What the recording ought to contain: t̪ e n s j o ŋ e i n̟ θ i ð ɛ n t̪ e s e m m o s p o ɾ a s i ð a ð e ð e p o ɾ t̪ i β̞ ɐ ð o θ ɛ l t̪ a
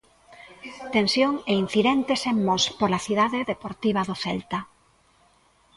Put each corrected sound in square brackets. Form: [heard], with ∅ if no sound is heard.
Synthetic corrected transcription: t̪ e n s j o ŋ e i n̟ θ i ð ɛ n t̪ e s e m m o s p o [l] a [θ] i ð a ð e ð e p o ɾ t̪ i β̞ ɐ ð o θ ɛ l t̪ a